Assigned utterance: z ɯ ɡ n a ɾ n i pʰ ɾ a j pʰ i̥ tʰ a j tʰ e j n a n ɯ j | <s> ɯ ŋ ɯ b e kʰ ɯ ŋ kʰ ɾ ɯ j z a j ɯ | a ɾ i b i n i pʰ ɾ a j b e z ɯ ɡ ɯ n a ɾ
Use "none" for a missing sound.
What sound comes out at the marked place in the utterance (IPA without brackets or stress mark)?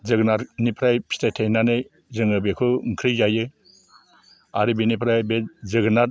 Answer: z